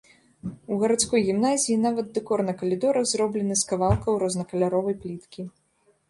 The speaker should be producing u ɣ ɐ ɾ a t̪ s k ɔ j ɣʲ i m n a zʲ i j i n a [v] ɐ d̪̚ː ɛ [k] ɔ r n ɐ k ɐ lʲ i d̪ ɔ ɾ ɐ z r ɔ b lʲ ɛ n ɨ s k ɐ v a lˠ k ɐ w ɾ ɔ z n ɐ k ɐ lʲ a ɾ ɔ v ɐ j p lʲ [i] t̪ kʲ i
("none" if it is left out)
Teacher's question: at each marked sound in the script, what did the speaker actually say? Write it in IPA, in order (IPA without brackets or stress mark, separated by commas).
v, k, i